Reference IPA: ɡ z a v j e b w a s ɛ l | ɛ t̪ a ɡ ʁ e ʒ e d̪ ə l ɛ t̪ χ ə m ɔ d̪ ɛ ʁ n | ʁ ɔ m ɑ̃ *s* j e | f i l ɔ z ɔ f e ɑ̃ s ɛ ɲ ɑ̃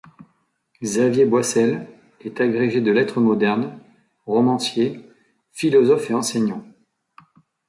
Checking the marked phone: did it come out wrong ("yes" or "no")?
no